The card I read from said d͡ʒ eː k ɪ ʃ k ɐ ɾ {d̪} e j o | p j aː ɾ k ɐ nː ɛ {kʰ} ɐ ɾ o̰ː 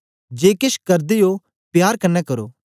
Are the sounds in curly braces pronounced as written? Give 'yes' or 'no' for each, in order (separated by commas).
yes, no